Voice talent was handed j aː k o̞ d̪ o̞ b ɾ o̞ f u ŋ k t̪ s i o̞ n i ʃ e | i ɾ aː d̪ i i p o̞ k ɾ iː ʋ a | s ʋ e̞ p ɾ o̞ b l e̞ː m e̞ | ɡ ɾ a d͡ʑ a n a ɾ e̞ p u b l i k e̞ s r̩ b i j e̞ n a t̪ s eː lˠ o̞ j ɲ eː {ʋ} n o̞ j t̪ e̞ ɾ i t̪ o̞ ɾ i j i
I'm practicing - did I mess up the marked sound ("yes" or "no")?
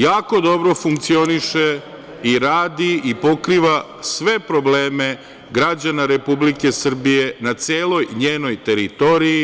yes